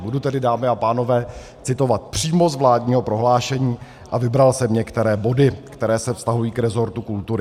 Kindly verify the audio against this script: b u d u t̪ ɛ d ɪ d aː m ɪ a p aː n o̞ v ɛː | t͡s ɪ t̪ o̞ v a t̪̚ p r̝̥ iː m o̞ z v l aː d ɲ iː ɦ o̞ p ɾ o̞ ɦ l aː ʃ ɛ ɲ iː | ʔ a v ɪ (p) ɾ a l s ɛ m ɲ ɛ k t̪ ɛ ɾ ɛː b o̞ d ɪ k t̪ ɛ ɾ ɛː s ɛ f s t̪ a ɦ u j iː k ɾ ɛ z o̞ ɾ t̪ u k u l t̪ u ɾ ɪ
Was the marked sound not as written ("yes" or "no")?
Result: yes